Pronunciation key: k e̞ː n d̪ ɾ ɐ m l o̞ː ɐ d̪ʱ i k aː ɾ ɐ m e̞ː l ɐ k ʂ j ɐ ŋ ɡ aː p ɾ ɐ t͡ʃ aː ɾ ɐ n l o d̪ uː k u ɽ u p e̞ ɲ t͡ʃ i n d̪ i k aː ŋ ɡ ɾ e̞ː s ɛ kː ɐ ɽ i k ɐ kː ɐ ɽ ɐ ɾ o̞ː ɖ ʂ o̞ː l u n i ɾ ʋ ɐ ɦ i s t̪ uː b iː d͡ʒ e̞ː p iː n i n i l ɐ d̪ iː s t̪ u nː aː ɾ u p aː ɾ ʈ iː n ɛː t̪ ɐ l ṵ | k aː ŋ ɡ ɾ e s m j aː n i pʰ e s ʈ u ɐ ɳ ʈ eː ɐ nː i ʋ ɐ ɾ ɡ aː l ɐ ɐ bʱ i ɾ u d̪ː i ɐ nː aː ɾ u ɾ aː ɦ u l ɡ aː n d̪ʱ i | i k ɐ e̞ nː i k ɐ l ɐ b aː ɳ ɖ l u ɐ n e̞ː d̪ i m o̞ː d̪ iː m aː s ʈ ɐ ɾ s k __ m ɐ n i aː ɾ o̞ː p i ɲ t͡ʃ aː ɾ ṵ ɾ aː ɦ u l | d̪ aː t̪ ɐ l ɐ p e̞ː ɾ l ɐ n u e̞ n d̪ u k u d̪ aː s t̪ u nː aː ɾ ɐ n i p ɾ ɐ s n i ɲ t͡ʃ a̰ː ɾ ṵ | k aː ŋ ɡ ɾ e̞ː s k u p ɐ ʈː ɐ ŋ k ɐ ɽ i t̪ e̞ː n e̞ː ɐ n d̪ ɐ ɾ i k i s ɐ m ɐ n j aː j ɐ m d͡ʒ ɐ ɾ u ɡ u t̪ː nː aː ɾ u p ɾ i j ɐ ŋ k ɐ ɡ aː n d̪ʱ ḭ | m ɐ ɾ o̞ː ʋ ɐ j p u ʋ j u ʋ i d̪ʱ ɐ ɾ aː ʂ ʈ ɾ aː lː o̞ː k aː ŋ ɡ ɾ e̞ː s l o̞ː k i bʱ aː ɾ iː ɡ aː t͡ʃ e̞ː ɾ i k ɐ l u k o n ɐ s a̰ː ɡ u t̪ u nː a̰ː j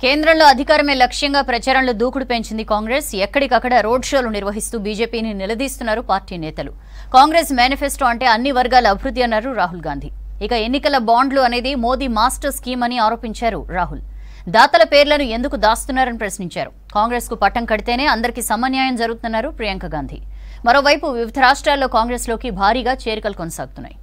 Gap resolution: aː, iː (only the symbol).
iː